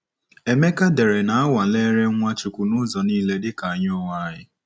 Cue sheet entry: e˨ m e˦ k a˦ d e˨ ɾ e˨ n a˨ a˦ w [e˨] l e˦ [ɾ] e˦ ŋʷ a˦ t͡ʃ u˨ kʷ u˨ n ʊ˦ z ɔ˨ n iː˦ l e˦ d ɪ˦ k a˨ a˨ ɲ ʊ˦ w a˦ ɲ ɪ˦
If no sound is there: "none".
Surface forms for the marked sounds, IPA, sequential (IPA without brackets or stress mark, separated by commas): a˨, ɾ